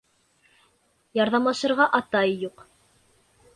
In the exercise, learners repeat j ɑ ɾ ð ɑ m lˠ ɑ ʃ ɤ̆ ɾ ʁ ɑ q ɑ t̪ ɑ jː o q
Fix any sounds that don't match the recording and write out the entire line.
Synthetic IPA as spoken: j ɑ ɾ ð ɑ m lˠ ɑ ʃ ɤ̆ ɾ ʁ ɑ ʔ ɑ t̪ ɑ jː u q